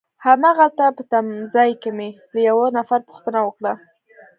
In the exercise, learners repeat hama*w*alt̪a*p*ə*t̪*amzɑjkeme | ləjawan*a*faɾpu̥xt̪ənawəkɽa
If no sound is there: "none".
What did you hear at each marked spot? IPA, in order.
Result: ɣ, p, t̪, a

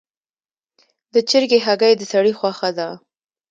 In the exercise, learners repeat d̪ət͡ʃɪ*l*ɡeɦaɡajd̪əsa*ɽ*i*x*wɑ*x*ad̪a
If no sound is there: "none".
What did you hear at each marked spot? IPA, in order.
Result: ɾ, ɽ, x, x

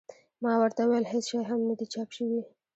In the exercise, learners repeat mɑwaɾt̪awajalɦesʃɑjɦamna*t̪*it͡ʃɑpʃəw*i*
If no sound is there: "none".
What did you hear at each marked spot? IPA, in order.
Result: d̪, i

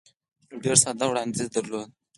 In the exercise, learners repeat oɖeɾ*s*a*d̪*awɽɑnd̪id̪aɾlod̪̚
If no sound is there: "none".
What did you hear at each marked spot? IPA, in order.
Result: s, d̪

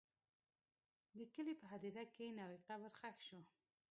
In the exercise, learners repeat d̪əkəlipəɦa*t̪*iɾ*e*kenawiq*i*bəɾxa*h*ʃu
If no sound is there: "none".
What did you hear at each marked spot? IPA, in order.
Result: d̪, a, a, x

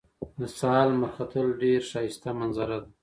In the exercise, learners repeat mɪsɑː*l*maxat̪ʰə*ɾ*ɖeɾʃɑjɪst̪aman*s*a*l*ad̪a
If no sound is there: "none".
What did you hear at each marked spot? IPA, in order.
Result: l, l, z, ɾ

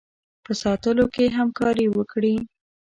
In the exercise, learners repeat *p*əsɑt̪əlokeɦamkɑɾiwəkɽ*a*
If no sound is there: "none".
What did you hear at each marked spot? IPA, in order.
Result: p, i

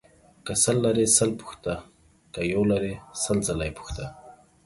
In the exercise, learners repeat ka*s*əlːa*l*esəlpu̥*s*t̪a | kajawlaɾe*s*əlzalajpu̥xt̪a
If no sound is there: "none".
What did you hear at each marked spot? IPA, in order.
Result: s, ɾ, x, s

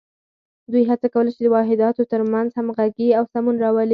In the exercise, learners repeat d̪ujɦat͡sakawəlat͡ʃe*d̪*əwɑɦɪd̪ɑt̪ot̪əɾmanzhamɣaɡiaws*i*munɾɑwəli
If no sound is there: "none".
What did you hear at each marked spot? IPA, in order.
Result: d̪, a

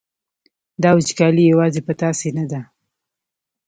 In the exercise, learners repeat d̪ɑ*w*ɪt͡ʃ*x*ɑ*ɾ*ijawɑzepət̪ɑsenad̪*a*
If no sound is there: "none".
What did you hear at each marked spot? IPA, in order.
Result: w, k, l, a

